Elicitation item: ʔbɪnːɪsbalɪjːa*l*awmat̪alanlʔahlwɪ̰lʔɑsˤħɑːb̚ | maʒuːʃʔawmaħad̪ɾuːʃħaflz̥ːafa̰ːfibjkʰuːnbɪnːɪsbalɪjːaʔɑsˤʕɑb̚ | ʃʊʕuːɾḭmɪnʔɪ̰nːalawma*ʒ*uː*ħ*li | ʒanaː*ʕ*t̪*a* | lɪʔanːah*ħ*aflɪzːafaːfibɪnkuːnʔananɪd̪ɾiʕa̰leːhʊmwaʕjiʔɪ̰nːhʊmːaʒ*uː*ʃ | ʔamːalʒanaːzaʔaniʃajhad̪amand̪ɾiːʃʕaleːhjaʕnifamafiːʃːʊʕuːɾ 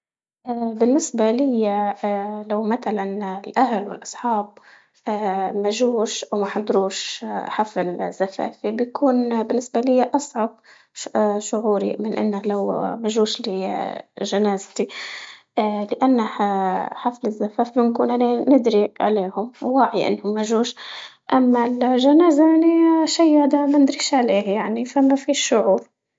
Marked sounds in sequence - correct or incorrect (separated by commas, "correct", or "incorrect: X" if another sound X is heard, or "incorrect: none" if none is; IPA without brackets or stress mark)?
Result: correct, correct, incorrect: ʃ, incorrect: z, incorrect: i, correct, correct